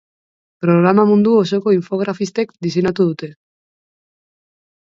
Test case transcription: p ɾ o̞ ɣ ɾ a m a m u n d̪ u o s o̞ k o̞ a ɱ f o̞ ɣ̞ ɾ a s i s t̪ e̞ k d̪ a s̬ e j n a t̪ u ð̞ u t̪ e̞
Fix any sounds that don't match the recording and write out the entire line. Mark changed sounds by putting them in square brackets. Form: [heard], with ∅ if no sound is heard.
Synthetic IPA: p ɾ o̞ ɣ ɾ a m a m u n d̪ u o s o̞ k o̞ [i] ɱ f o̞ ɣ̞ ɾ a [f] i s t̪ e̞ k d̪ [i] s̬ e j n a t̪ u ð̞ u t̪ e̞

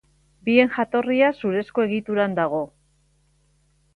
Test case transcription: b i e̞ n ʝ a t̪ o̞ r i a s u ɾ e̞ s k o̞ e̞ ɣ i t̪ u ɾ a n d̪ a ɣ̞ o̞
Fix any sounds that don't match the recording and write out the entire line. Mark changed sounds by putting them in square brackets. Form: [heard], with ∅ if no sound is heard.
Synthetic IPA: b i e̞ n ʝ a t̪ o̞ r i a s u ɾ e̞ s k o̞ e̞ ɣ i t̪ u ɾ a n d̪ a ɣ̞ o̞

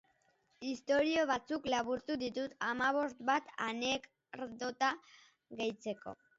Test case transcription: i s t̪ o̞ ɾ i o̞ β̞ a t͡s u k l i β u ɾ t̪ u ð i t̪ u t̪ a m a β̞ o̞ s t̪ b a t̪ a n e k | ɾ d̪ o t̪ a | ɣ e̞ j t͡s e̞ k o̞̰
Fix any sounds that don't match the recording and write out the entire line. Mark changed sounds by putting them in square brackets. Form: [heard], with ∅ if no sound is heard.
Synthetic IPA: i s t̪ o̞ ɾ i o̞ β̞ a t͡s u k l [a] β u ɾ t̪ u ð i t̪ u t̪ a m a β̞ o̞ s t̪ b a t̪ a n e k | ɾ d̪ o t̪ a | ɣ e̞ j t͡s e̞ k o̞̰

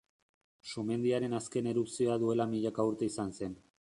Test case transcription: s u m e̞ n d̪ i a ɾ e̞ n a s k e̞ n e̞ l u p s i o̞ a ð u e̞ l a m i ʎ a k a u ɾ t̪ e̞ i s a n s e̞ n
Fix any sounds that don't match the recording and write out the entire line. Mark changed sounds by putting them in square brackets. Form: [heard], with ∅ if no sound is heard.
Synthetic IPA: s u m e̞ n d̪ i a ɾ e̞ n a s k e̞ n e̞ [ɾ] u p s i o̞ a ð u e̞ l a m i ʎ a k a u ɾ t̪ e̞ i s a n s e̞ n

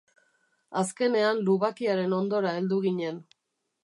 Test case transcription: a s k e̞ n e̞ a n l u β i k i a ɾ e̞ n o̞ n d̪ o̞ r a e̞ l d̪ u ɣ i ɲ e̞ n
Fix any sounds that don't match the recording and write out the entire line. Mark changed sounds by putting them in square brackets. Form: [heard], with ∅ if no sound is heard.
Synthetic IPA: a s k e̞ n e̞ a n l u β [a] k i a ɾ e̞ n o̞ n d̪ o̞ [ɾ] a e̞ l d̪ u ɣ i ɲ e̞ n

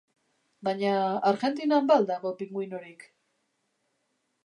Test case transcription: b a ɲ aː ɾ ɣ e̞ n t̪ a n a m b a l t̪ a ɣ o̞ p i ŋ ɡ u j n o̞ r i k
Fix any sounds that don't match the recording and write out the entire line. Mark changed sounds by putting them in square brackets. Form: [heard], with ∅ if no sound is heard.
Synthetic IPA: b a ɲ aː ɾ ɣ e̞ n t̪ [i] n a m b a l [d̪] a ɣ o̞ p i ŋ ɡ u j n o̞ [ɾ] i k

